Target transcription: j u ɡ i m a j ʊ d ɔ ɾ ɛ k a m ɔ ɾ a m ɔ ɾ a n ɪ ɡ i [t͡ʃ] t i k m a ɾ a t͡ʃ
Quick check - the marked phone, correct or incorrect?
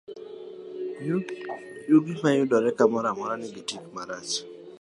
incorrect